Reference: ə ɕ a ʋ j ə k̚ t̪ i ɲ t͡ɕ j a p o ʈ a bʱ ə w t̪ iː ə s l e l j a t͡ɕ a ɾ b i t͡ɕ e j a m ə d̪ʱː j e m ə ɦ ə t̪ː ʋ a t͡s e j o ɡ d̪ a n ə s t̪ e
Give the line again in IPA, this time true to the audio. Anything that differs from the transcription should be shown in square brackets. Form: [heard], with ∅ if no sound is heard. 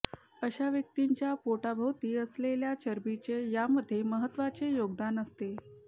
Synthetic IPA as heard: ə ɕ a ʋ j ə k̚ t̪ i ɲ t͡ɕ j a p o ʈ a bʱ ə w t̪ iː ə s l e l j a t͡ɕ [ə] ɾ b i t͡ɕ e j a m ə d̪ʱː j e m ə ɦ ə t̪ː ʋ a t͡s e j o ɡ d̪ a n ə s t̪ e